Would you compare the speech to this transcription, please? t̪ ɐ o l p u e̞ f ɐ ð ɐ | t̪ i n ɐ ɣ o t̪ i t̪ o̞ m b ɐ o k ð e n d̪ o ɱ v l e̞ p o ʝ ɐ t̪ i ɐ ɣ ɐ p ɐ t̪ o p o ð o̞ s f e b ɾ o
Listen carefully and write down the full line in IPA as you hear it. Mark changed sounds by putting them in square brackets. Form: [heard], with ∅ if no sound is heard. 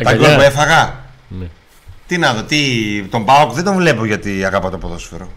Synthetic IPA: t̪ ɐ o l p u e̞ f ɐ [ɣ] ɐ | t̪ i n ɐ [ð] o t̪ i t̪ o̞ m b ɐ o k ð e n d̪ o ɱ v l e̞ p o ʝ ɐ t̪ i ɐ ɣ ɐ p ɐ t̪ o p o ð o̞ s f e [∅] ɾ o